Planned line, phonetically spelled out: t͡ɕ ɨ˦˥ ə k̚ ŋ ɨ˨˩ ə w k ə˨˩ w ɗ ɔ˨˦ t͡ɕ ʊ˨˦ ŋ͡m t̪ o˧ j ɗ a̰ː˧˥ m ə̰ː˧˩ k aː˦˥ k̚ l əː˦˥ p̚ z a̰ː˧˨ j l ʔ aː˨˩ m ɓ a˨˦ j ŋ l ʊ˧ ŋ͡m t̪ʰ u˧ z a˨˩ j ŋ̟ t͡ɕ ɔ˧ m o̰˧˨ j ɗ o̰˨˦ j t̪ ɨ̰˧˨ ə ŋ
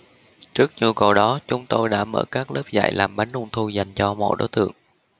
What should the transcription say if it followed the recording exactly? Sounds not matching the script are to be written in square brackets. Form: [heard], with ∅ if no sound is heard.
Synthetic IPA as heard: t͡ɕ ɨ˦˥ ə k̚ [ɲ] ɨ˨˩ ə w k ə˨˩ w ɗ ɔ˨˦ t͡ɕ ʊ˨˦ ŋ͡m t̪ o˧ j ɗ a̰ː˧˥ m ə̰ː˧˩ k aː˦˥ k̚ l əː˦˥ p̚ z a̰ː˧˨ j l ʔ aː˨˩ m ɓ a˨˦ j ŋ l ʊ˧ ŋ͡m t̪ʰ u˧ z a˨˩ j ŋ̟ t͡ɕ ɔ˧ m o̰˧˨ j ɗ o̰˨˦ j t̪ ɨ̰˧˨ ə ŋ